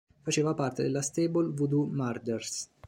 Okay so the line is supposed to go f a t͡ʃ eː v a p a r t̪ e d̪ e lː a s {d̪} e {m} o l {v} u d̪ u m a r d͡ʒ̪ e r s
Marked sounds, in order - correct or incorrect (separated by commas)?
incorrect, incorrect, correct